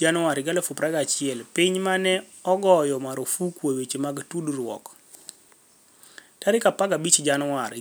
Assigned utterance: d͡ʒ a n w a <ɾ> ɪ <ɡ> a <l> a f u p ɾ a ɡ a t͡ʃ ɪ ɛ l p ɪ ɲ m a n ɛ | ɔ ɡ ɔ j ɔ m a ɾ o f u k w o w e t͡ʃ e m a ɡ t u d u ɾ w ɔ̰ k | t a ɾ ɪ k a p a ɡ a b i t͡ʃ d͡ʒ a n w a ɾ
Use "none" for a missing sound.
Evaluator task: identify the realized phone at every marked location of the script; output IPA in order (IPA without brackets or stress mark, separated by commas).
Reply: ɾ, ɡ, l